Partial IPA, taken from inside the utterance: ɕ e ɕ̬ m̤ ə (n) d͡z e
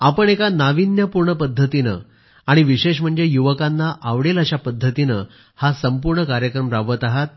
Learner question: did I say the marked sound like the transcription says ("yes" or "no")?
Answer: no